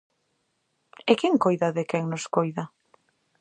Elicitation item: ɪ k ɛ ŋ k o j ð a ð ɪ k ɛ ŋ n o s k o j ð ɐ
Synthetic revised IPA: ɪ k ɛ ŋ k o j ð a ð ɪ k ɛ ŋ n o s k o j ð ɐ